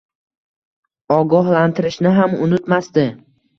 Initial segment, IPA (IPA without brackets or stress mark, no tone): ɒ